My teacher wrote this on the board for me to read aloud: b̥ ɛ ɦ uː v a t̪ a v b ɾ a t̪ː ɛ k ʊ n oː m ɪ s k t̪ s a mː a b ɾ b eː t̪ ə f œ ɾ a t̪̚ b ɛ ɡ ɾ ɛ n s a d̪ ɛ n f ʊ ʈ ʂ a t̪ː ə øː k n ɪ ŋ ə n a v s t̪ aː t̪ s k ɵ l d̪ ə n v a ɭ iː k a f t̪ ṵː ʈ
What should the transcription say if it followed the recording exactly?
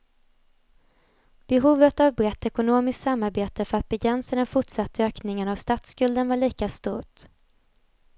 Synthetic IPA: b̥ ɛ ɦ uː v ə t̪ a v b ɾ ɛ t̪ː ɛ k ʊ n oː m ɪ s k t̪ s a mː a ɾ b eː t̪ ə f œ ɾ a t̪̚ b ɛ ɡ ɾ ɛ n s a d̪ ɛ n f ʊ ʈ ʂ a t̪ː ə øː k n ɪ ŋ ə n a v s t̪ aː t̪ s k ɵ l d̪ ə n v a ɭ iː k a s t̪ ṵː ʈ